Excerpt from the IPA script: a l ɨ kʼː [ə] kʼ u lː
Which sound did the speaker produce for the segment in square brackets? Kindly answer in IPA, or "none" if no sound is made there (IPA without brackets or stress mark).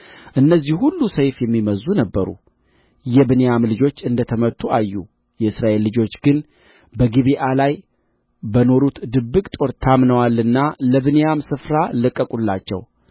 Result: ə